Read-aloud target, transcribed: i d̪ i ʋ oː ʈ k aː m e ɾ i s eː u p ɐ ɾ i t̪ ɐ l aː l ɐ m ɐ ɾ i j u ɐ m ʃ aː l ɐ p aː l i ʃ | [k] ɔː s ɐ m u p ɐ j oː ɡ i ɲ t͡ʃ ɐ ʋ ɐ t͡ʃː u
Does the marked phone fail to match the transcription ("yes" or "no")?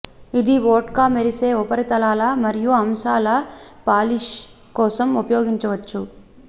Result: no